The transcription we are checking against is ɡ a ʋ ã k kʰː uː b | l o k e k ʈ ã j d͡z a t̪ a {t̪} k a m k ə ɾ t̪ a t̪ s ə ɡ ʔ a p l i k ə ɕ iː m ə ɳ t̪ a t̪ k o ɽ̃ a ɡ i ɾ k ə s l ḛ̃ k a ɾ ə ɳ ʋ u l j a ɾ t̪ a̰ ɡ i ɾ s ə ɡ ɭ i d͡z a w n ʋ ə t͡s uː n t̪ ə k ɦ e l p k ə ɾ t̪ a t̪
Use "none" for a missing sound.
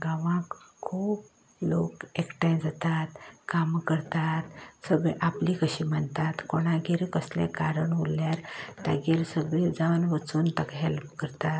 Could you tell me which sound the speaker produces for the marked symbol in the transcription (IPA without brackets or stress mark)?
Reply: t̪